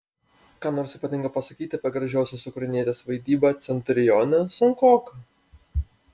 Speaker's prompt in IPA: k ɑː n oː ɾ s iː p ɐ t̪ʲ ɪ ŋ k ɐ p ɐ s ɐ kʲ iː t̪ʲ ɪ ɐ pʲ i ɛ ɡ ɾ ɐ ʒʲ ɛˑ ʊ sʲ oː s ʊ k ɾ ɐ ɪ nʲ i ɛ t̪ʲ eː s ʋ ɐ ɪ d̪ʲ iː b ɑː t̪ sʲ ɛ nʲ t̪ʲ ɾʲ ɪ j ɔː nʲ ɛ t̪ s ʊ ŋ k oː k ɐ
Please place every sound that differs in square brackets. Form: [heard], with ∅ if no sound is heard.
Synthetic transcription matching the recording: k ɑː n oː ɾ s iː p ɐ t̪ʲ ɪ ŋ k ɐ p ɐ s ɐ kʲ iː t̪ʲ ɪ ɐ pʲ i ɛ ɡ ɾ ɐ ʒʲ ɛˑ ʊ sʲ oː s ʊ k ɾ ɐ ɪ nʲ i ɛ t̪ʲ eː s ʋ ɐ ɪ d̪ʲ iː b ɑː t̪ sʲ ɛ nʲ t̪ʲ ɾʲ ɪ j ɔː nʲ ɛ [∅] s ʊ ŋ k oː k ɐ